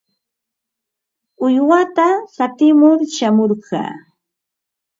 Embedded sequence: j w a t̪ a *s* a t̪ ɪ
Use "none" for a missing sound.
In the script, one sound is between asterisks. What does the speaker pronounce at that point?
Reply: s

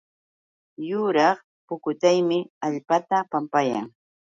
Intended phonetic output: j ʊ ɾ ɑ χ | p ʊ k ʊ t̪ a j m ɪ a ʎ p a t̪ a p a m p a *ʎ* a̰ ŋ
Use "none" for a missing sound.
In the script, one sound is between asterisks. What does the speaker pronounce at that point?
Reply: j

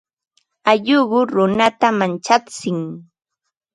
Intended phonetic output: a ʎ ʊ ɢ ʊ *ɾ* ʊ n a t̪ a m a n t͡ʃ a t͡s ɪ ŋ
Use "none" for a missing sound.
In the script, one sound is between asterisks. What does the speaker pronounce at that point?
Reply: ɾ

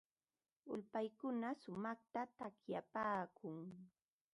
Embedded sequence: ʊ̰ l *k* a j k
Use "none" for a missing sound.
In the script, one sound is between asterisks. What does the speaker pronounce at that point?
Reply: p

